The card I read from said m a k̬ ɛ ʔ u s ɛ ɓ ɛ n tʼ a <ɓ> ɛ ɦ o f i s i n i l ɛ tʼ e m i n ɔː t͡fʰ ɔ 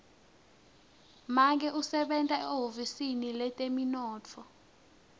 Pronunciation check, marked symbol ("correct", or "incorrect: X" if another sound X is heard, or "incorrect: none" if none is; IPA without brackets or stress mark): incorrect: none